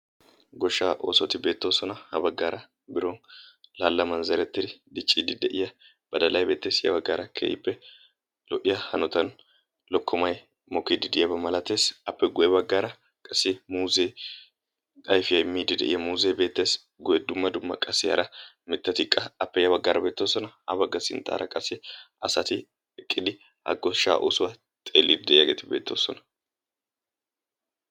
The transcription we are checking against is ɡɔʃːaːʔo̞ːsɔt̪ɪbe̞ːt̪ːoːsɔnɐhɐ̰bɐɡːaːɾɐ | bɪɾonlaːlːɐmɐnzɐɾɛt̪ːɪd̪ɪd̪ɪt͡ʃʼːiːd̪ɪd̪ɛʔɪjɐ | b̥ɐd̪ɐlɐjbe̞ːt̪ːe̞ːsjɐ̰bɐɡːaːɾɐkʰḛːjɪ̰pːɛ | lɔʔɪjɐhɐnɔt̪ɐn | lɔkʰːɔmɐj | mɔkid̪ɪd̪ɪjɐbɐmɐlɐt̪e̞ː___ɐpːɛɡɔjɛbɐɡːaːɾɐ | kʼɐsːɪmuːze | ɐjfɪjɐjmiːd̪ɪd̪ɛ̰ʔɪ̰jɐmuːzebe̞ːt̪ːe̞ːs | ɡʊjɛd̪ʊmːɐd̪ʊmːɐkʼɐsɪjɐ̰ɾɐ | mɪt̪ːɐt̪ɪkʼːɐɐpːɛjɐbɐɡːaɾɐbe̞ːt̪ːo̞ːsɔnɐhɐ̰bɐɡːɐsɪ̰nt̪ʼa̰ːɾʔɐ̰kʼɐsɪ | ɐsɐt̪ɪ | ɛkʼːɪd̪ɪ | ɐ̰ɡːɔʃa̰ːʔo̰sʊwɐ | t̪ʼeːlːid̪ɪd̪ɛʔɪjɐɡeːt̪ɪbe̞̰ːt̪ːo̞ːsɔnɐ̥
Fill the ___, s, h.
s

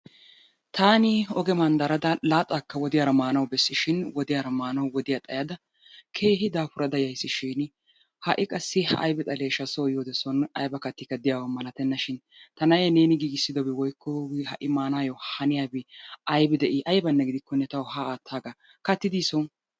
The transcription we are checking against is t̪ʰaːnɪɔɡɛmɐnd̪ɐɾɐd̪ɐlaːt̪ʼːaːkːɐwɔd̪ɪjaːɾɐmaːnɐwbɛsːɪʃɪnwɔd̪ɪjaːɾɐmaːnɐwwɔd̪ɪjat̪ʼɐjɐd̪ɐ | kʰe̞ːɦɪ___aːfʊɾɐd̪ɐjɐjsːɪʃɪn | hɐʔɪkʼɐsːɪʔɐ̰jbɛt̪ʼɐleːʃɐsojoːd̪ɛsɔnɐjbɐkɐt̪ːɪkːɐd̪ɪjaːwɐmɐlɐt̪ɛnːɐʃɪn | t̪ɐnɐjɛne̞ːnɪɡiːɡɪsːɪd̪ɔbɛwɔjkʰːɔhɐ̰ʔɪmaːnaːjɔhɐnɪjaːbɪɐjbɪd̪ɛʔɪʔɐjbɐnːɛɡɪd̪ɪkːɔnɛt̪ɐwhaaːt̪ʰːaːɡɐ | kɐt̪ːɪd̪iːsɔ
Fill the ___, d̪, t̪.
d̪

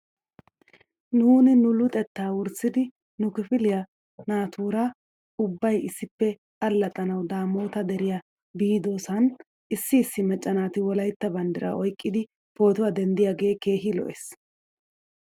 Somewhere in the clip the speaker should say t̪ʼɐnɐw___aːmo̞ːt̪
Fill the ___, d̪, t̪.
d̪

